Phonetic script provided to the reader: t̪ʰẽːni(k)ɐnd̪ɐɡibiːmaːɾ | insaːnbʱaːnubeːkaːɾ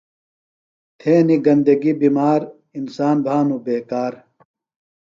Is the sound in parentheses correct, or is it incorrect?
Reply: incorrect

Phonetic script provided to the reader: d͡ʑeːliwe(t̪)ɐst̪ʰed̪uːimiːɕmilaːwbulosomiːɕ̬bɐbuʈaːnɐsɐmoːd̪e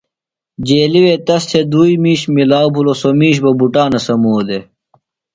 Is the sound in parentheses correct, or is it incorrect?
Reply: correct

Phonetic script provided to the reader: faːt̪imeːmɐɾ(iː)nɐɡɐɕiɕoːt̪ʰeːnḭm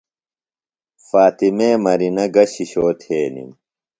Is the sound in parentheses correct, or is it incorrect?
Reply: incorrect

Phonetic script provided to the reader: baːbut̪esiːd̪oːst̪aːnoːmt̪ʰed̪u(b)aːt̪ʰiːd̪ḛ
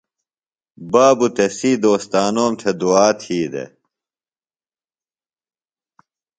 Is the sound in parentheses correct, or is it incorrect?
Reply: incorrect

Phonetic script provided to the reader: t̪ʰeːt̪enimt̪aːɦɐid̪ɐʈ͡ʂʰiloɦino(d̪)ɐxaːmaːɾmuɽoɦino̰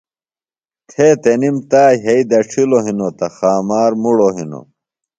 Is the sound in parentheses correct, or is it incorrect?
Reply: incorrect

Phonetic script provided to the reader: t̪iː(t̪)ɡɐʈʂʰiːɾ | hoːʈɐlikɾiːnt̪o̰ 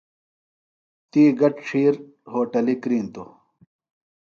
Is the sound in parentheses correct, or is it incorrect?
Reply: incorrect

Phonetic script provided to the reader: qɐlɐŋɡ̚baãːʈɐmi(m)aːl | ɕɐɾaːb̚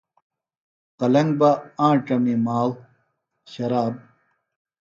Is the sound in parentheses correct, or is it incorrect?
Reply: correct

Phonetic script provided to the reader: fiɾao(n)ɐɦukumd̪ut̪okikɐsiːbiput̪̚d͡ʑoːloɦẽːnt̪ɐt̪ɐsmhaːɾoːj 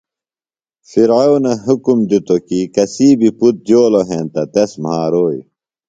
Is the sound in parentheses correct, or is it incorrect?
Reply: correct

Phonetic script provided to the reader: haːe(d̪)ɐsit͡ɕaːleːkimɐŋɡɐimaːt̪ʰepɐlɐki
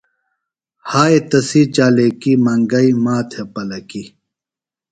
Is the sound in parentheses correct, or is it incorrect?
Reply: incorrect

